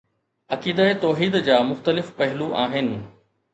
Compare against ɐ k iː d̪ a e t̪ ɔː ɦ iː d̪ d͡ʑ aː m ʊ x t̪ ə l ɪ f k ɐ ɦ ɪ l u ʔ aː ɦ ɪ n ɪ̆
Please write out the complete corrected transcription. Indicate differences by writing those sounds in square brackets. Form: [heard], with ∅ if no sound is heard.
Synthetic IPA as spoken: ɐ k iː d̪ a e t̪ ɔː ɦ iː d̪ d͡ʑ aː m ʊ x t̪ ə l ɪ f [p] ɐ ɦ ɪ l u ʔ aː ɦ ɪ n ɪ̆